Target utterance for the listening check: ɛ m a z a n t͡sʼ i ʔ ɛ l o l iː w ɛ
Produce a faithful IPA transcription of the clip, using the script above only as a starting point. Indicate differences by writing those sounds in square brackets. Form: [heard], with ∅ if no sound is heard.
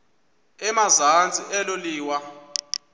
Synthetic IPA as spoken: ɛ m a z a n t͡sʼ i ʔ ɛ l o l iː w [a]